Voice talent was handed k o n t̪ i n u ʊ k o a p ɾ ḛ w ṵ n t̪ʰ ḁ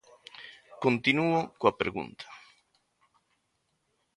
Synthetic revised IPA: k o n t̪ i n u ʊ k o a p ɾ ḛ ɣ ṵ n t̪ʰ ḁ